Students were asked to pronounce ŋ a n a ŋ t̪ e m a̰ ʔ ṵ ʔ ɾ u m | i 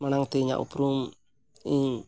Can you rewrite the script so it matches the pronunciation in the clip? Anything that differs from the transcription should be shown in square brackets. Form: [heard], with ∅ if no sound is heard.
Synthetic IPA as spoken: [m] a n a ŋ t̪ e [ɲ] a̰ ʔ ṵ [p] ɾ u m | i